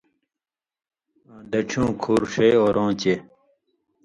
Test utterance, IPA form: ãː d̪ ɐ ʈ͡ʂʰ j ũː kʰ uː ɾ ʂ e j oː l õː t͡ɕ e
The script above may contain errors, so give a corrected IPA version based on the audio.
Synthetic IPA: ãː d̪ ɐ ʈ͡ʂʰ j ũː kʰ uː ɾ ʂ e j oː ɾ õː t͡ɕ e